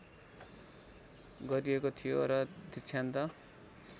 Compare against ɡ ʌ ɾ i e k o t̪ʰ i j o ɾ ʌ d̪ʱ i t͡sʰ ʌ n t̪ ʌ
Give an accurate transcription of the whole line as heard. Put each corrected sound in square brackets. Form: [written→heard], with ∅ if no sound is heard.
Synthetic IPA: ɡ ʌ ɾ i e k o t̪ʰ i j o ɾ ʌ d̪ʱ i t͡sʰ [ʌ→a] n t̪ ʌ